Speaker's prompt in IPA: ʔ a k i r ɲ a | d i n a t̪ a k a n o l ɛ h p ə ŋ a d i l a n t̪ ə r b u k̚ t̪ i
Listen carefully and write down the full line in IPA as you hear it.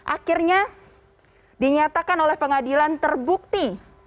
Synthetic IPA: ʔ a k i r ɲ a | d i ɲ a t̪ a k a n o l ɛ h p ə ŋ a d i l a n t̪ ə r b u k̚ t̪ i